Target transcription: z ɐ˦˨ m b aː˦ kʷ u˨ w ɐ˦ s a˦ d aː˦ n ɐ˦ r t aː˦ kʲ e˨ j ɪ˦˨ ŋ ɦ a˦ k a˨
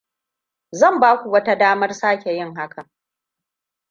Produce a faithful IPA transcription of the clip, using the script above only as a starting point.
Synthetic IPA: z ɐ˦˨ m b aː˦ kʷ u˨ w ɐ˦ t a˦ d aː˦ m ɐ˦ r s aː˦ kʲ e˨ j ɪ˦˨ ŋ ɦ a˦ k a˨